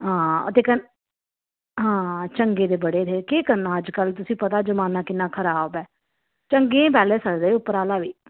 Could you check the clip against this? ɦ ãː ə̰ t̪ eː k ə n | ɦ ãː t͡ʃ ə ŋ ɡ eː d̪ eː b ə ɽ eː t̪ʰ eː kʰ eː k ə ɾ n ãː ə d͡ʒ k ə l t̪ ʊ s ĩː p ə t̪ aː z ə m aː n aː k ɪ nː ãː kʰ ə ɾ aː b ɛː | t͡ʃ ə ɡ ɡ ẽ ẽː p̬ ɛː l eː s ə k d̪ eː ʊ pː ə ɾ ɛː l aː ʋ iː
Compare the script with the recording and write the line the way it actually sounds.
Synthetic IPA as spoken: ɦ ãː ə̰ t̪ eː k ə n | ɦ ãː t͡ʃ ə ŋ ɡ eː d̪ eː b ə ɽ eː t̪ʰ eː k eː k ə ɾ n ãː ə d͡ʒ k ə l t̪ ʊ s ĩː p ə t̪ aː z ə m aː n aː k ɪ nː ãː kʰ ə ɾ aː b ɛː | t͡ʃ ə ŋ ɡ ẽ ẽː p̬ ɛː l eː s ə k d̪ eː ʊ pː ə ɾ aː l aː ʋ iː